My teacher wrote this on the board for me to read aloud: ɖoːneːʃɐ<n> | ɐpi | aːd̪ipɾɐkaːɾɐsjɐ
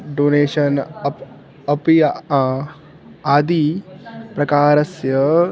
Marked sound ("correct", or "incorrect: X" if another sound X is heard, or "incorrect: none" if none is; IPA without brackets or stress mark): correct